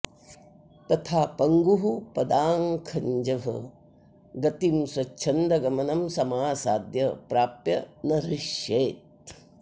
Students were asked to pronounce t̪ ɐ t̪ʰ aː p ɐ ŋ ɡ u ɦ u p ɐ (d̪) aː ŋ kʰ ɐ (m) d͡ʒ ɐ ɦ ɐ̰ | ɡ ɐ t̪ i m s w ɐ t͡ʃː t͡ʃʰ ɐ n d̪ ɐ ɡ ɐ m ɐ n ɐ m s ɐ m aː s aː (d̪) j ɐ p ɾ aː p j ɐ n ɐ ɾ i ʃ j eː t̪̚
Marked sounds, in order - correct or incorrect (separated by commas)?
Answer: correct, incorrect, correct